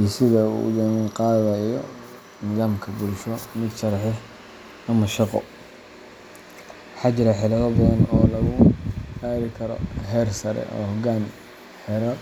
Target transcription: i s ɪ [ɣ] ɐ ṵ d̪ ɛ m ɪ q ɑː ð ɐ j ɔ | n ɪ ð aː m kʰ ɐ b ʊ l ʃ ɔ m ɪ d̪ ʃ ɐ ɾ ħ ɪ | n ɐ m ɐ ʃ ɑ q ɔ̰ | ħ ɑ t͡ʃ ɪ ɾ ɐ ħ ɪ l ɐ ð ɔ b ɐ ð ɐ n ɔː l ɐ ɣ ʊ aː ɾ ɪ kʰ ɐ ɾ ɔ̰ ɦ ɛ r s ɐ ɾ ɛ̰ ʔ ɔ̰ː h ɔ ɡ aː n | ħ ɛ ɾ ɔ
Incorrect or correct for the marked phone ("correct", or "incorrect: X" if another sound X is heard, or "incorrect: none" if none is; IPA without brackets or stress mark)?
incorrect: ð